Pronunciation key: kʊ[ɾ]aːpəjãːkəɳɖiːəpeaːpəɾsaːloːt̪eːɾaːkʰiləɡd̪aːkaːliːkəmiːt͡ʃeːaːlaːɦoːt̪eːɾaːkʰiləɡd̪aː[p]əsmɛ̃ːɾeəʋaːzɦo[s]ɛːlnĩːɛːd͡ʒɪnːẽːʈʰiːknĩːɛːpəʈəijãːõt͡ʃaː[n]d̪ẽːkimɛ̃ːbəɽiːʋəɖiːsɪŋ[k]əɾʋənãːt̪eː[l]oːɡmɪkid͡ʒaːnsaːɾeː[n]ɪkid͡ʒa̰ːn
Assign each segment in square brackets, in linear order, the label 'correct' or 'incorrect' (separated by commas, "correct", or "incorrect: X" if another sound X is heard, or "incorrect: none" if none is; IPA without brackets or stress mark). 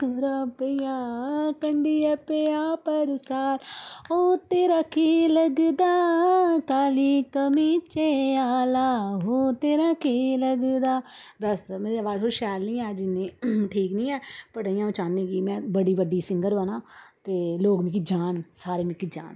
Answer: correct, incorrect: b, incorrect: ʃ, correct, incorrect: ɡ, correct, incorrect: m